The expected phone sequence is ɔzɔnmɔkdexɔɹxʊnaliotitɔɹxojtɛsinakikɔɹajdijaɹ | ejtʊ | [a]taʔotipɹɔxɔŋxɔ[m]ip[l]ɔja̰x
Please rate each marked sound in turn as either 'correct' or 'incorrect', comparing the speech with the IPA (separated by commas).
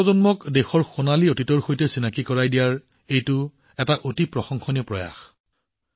incorrect, incorrect, incorrect